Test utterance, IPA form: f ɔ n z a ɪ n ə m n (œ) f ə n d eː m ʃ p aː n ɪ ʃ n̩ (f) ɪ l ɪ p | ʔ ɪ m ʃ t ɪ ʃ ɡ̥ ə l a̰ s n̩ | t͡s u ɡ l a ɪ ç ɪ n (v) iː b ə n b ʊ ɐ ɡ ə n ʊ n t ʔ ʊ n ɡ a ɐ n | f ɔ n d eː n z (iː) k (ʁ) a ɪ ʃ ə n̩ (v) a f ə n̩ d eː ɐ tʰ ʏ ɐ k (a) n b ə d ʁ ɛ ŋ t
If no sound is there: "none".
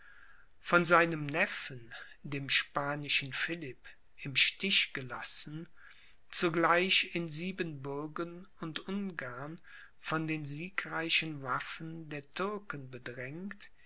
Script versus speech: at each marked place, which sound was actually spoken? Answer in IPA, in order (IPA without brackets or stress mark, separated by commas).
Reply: ɛ, f, z, iː, ʁ, v, ə